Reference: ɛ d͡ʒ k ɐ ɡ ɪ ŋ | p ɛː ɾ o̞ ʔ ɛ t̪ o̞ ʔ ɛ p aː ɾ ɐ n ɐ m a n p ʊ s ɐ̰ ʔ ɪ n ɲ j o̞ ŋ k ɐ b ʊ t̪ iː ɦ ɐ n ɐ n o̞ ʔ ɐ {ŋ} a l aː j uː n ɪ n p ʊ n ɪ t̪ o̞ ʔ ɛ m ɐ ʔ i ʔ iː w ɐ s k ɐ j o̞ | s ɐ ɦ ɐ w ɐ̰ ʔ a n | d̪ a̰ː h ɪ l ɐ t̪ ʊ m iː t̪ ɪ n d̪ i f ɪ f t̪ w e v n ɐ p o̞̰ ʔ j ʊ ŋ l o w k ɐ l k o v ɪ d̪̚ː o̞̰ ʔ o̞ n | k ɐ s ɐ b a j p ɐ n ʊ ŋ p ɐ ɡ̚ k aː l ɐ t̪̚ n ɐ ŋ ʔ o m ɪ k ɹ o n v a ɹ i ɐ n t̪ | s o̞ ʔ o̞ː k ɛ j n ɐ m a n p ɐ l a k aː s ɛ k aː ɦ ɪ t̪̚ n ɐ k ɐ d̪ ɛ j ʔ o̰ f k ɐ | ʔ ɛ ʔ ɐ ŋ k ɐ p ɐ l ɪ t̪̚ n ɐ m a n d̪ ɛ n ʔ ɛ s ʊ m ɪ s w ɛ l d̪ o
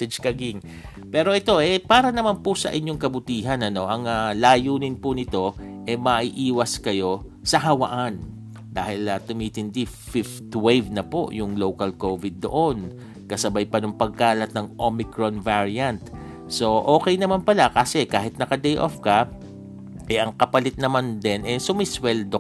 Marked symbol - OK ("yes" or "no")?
yes